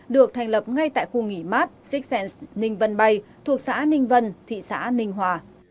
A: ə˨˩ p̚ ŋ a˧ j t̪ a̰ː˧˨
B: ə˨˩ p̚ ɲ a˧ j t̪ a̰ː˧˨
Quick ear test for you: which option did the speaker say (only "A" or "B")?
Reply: A